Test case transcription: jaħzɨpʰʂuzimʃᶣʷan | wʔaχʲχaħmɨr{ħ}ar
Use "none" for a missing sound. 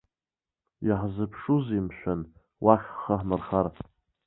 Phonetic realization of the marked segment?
χ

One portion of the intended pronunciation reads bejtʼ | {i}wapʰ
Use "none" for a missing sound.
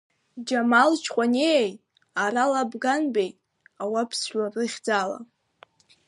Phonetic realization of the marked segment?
a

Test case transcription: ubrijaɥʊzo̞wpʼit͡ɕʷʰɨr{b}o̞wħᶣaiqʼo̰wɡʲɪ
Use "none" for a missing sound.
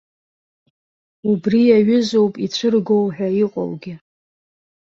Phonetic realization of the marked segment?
ɡ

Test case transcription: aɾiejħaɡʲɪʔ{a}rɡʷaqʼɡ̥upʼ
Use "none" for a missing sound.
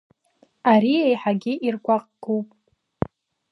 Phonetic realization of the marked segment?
i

